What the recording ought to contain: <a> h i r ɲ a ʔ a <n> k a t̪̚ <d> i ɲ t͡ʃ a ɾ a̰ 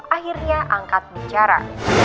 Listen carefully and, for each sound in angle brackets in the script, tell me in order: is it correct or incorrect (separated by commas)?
correct, incorrect, incorrect